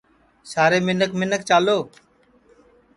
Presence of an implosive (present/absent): absent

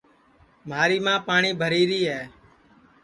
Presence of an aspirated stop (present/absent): absent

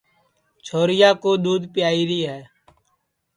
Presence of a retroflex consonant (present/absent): absent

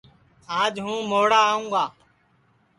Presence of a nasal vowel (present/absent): present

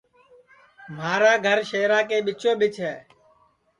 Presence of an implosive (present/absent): present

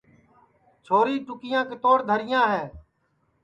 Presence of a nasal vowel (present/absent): present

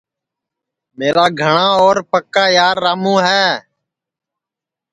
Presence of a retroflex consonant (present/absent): present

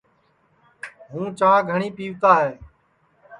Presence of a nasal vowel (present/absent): present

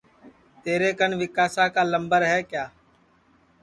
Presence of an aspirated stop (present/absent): absent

